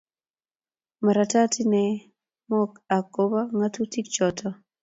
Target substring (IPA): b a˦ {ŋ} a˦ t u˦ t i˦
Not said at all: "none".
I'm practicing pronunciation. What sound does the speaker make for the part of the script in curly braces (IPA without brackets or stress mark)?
ŋ